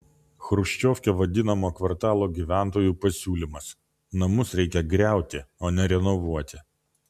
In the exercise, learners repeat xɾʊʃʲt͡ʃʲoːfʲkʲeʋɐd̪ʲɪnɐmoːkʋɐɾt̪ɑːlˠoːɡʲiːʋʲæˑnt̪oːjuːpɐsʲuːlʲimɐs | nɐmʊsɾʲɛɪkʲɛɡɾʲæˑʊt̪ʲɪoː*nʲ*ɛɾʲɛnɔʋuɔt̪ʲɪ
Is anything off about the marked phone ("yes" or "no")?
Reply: no